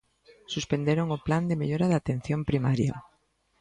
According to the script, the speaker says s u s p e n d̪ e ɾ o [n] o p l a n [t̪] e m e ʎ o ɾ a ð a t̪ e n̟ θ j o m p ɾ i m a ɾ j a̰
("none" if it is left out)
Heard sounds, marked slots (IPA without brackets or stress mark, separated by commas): ŋ, d̪